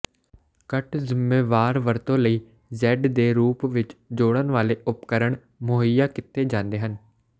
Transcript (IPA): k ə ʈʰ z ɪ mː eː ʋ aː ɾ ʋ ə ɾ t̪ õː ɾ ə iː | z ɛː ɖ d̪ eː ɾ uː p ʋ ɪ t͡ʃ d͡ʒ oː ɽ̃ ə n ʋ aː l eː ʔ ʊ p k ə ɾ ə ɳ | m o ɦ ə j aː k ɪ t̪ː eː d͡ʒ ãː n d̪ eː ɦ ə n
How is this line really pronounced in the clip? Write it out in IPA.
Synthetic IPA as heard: k ə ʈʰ z ɪ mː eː ʋ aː ɾ ʋ ə ɾ t̪ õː l ə iː | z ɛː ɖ d̪ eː ɾ uː p ʋ ɪ t͡ʃ d͡ʒ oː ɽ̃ ə n ʋ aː l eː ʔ ʊ p k ə ɾ ə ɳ | m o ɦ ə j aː k ɪ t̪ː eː d͡ʒ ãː n d̪ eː ɦ ə n